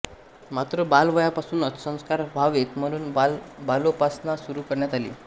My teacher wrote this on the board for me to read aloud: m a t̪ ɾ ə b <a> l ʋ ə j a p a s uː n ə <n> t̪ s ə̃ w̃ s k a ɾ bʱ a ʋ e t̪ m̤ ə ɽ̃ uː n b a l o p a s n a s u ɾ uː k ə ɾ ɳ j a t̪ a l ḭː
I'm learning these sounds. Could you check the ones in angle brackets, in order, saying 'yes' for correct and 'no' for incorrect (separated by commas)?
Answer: yes, no